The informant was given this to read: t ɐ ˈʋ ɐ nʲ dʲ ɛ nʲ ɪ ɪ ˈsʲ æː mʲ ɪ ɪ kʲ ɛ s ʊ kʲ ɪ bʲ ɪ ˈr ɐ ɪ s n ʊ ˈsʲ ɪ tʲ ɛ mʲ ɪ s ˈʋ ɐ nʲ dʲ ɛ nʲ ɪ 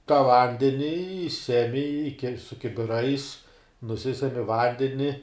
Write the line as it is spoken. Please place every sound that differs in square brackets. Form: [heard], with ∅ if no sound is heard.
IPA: t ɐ ˈʋ ɐ nʲ dʲ ɛ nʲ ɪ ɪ ˈsʲ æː mʲ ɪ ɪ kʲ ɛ s ʊ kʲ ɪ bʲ ɪ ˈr ɐ ɪ s n ʊ ˈsʲ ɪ [sʲ] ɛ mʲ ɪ [∅] ˈʋ ɐ nʲ dʲ ɛ nʲ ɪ